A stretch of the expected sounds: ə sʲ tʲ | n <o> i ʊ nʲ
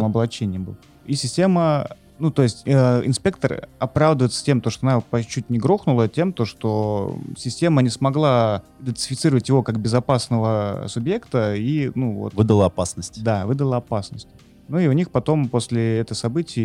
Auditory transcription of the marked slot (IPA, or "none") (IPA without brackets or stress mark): u